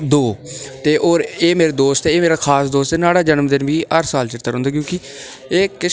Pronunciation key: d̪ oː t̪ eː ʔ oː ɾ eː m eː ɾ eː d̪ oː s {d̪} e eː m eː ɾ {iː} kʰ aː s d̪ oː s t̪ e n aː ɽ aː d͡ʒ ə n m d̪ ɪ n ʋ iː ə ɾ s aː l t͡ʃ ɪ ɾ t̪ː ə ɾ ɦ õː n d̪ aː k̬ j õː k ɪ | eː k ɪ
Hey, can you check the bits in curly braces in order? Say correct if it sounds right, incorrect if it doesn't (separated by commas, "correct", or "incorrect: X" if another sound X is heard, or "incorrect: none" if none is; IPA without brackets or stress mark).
incorrect: t̪, incorrect: aː